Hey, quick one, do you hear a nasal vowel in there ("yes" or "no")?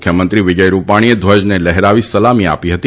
no